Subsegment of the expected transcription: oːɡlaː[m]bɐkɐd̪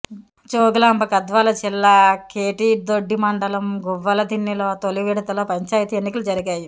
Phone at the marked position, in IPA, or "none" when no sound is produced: m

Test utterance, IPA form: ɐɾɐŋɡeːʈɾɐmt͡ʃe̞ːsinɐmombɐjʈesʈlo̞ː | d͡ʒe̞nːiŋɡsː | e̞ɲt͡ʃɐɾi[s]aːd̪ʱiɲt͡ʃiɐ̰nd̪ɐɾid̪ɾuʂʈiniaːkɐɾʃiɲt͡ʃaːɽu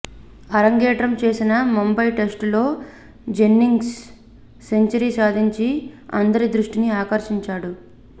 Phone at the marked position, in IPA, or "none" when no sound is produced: s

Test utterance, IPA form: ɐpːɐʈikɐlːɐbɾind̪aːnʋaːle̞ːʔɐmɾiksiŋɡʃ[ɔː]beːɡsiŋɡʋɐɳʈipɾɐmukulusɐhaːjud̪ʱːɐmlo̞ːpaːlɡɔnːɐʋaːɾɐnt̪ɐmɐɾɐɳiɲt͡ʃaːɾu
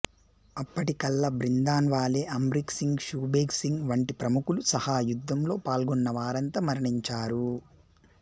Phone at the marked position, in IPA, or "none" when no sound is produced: uː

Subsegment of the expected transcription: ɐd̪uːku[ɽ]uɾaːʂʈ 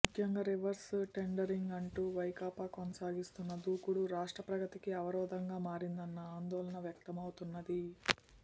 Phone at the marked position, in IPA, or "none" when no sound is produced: ɽ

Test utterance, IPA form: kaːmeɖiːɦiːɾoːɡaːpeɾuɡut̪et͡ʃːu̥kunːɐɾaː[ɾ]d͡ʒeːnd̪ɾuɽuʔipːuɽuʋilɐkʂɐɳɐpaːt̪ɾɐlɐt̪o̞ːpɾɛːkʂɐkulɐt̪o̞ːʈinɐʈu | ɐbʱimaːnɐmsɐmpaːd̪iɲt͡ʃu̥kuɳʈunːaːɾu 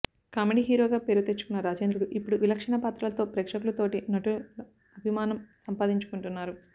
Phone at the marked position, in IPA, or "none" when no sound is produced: none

